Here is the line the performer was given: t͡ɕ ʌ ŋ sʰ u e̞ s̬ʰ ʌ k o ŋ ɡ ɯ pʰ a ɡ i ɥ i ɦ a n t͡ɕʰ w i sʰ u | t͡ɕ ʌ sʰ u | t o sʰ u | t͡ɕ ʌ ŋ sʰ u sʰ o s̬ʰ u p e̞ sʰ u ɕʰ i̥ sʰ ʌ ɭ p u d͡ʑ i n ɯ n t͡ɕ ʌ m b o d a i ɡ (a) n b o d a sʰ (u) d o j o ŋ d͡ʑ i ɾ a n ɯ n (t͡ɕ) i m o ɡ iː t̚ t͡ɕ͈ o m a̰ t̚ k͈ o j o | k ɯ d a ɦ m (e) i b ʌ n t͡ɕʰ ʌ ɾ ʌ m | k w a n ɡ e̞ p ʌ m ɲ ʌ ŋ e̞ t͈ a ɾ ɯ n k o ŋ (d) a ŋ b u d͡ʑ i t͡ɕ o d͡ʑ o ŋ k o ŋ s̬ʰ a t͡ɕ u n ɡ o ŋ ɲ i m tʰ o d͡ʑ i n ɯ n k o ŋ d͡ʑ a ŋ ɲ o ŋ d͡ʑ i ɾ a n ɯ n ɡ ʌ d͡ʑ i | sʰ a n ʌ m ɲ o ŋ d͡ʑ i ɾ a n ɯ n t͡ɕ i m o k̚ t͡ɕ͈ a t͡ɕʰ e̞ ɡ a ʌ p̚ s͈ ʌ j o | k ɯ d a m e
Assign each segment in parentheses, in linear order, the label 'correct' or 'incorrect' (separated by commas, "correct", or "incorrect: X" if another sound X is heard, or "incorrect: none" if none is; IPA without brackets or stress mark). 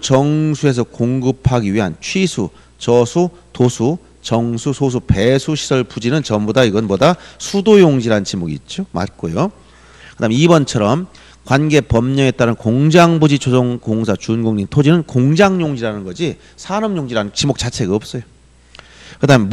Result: incorrect: ʌ, correct, correct, correct, incorrect: d͡ʑ